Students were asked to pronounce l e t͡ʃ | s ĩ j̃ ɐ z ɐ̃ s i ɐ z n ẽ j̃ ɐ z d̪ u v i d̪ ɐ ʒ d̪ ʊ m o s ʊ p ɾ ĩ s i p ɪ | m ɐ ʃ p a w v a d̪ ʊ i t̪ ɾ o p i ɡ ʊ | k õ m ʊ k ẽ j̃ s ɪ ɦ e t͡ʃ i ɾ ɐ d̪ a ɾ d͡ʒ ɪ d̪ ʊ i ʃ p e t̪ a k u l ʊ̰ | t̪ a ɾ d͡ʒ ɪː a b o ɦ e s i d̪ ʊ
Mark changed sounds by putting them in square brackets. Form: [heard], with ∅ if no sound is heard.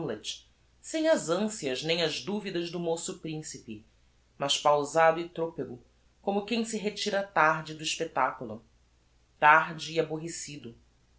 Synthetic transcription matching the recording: l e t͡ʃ | s [ẽ] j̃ ɐ z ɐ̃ s i ɐ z n ẽ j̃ ɐ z d̪ u v i d̪ ɐ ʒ d̪ ʊ m o s ʊ p ɾ ĩ s i p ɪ | m ɐ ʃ p a w [z] a d̪ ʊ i t̪ ɾ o p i ɡ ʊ | k õ m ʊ k ẽ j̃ s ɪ ɦ e t͡ʃ i ɾ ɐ [t̪] a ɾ d͡ʒ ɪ d̪ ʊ i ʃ p e t̪ a k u l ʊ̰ | t̪ a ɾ d͡ʒ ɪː a b o ɦ e s i d̪ ʊ